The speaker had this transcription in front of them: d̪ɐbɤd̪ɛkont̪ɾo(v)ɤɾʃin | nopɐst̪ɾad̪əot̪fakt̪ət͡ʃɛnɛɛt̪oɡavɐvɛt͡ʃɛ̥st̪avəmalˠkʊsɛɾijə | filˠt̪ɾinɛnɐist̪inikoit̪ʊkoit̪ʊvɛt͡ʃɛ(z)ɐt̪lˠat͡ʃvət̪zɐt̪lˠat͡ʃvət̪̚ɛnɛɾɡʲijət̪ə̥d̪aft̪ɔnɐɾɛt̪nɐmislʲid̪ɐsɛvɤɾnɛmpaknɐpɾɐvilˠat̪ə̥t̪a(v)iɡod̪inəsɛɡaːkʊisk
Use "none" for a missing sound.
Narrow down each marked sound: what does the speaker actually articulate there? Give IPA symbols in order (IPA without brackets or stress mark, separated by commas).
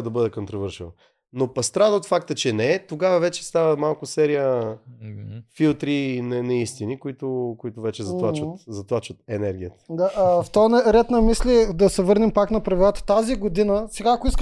v, z, z